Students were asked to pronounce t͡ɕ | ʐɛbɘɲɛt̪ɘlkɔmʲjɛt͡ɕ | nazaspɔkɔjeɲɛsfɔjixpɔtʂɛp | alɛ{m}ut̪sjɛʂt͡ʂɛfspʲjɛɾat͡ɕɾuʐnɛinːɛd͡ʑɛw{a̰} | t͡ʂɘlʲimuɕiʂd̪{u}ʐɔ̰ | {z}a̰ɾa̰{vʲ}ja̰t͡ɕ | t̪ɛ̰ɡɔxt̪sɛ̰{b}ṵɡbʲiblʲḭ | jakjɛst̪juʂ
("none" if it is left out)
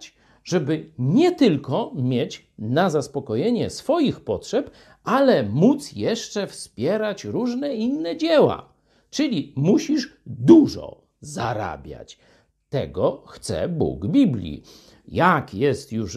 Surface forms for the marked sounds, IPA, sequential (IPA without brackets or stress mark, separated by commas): m, a̰, u, z, bʲ, b